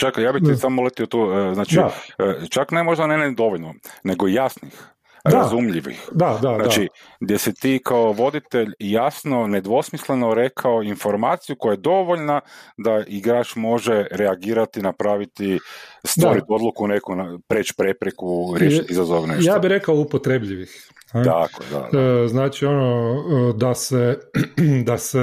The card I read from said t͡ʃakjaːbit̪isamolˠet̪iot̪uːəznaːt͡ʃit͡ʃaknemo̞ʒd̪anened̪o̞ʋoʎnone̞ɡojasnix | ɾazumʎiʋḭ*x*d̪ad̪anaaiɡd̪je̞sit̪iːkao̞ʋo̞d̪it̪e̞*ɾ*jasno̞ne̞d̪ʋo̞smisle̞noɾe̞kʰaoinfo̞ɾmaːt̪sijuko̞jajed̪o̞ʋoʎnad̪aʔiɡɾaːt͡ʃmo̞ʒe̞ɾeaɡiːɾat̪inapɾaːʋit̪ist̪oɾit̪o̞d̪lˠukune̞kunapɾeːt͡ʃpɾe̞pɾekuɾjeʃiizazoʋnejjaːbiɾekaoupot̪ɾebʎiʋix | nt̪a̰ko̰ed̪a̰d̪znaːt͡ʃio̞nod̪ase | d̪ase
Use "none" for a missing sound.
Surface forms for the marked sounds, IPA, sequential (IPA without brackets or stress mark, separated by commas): x, ʎ